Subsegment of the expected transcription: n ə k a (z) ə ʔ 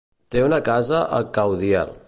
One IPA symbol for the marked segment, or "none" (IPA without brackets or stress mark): z